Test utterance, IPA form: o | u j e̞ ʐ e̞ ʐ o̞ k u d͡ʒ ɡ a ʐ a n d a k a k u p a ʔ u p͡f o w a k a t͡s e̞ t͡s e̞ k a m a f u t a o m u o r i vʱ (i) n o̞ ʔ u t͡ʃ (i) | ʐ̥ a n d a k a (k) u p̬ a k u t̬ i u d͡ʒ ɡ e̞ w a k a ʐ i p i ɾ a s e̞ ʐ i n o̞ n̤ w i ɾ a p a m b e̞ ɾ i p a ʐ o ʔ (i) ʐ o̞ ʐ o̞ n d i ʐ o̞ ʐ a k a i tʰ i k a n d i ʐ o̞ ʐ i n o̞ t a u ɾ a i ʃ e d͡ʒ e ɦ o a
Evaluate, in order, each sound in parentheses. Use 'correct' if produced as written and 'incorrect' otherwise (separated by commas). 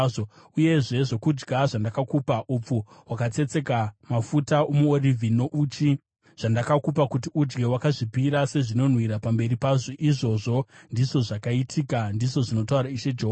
correct, correct, correct, correct